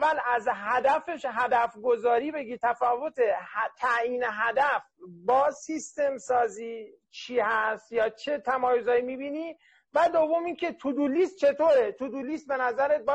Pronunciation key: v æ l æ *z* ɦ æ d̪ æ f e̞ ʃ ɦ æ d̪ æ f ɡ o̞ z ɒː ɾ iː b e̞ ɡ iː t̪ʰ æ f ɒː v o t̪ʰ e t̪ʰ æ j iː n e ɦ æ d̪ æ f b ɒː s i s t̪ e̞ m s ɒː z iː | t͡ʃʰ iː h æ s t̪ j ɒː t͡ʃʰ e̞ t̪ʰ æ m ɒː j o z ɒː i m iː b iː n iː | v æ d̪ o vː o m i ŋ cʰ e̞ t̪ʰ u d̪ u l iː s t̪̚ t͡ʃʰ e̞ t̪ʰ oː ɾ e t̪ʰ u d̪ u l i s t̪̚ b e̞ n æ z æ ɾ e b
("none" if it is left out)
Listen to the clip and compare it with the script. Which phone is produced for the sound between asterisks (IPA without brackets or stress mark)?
z